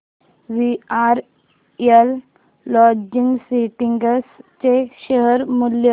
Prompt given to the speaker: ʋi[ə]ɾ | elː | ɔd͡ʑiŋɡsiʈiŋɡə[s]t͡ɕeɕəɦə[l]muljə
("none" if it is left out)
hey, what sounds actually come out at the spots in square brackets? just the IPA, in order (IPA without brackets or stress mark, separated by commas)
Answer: a, s, ɾ